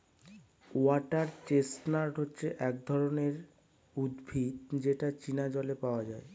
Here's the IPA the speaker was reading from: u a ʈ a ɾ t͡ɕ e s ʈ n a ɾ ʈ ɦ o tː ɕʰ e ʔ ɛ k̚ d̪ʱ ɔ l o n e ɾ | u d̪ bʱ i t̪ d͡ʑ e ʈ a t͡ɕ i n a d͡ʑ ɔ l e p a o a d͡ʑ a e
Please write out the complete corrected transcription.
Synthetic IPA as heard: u a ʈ a ɾ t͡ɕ e s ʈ n a ɾ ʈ ɦ o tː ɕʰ e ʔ ɛ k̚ d̪ʱ ɔ ɾ o n e ɾ | u d̪ bʱ i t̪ d͡ʑ e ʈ a t͡ɕ i n a d͡ʑ ɔ l e p a o a d͡ʑ a e